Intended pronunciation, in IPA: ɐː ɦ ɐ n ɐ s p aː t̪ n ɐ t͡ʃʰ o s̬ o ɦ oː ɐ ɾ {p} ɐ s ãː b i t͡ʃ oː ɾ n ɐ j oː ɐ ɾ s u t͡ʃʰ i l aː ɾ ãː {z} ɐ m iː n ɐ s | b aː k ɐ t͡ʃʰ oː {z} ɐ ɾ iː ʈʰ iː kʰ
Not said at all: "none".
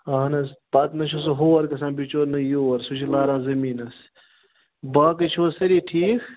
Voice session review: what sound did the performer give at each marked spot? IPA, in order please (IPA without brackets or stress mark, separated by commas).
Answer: k, z, s